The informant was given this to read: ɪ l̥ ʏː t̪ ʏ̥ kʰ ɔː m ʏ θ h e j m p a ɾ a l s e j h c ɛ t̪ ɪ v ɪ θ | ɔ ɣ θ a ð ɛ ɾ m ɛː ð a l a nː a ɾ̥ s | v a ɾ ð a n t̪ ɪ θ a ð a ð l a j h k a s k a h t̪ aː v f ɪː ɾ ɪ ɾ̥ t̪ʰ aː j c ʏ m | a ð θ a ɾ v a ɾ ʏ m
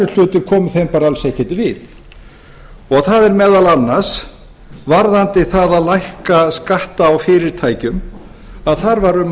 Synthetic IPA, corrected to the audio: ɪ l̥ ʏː t̪ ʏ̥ kʰ ɔː m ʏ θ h e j m p a ɾ a l s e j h c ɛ t̪ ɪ v ɪ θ | ɔ ɣ θ a ð ɛ ɾ m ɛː ð a l a nː a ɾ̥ s | v a ɾ ð a n t̪ ɪ θ a ð a ð l a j h k a s k a h t̪ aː w f ɪː ɾ ɪ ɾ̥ t̪ʰ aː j c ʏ m | a ð θ a ɾ v a ɾ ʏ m